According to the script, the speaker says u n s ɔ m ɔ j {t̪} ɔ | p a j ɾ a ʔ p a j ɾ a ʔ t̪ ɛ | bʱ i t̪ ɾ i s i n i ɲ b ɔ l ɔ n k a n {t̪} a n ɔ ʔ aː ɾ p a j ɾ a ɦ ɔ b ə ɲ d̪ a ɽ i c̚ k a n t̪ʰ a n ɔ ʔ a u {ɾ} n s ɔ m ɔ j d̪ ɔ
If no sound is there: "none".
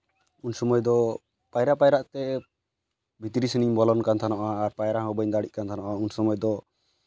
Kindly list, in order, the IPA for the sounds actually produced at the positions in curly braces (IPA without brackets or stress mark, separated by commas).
d̪, t̪ʰ, none